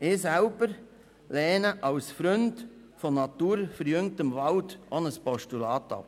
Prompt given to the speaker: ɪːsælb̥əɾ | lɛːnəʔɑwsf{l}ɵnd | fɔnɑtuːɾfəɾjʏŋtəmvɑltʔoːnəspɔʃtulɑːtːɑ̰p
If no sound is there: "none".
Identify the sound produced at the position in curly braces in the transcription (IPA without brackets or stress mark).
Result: ɾ